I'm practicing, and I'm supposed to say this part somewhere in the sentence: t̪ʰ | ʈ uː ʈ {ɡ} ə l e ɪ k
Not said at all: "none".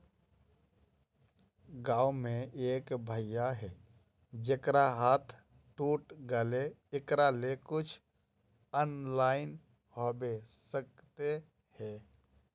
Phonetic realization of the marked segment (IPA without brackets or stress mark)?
ɡ